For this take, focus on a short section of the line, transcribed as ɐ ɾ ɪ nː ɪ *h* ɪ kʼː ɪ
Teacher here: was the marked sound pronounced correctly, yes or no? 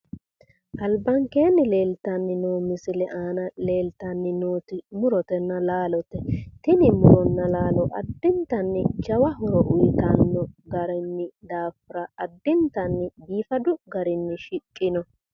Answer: no